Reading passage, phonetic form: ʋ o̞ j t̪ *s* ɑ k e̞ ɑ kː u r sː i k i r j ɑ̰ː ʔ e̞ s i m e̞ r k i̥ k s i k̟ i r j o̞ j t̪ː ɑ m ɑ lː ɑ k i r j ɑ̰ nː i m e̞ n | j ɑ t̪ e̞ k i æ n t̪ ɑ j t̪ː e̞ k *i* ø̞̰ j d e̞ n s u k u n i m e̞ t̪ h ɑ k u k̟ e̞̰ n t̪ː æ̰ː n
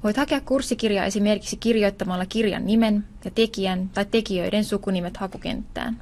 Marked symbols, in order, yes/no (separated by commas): no, yes